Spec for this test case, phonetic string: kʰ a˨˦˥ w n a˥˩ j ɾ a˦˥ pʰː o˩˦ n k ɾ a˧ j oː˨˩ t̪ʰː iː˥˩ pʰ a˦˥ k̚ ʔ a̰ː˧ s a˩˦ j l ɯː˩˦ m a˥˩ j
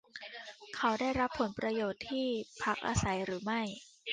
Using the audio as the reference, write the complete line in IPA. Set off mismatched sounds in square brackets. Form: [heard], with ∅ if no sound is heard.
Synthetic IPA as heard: kʰ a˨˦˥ w [d] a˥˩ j ɾ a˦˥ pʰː o˩˦ n [p] ɾ a˧ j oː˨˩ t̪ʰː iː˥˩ pʰ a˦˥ k̚ ʔ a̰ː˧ s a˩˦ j [ɾ] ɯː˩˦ m a˥˩ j